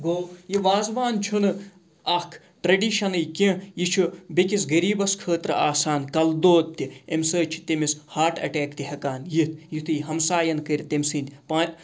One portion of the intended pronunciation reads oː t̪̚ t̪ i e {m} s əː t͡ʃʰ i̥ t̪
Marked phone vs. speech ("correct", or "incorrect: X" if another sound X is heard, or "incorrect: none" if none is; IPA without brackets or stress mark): correct